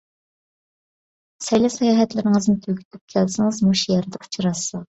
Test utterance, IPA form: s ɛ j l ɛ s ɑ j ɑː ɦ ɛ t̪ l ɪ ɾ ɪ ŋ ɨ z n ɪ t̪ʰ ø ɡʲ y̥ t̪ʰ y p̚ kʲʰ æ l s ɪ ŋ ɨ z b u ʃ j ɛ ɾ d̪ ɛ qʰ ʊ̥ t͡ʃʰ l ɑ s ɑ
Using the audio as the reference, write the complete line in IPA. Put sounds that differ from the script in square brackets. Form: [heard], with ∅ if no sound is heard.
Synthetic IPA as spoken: s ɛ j l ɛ s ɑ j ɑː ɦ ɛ t̪ l ɪ ɾ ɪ ŋ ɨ z n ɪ t̪ʰ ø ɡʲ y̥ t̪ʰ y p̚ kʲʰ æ l s ɪ ŋ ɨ z [m] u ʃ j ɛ ɾ d̪ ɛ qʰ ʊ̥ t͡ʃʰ [ɾ] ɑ s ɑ